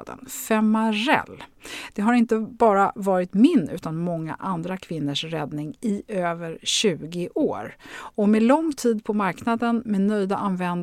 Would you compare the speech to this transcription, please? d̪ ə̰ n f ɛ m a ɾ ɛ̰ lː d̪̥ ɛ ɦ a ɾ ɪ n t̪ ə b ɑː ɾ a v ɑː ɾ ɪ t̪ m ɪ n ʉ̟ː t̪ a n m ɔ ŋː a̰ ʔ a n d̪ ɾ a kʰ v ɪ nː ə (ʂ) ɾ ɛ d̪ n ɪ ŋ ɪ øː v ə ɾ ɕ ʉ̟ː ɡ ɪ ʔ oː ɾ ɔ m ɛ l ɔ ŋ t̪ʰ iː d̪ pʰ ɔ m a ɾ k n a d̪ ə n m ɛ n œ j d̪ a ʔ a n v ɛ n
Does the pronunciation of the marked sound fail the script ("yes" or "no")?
no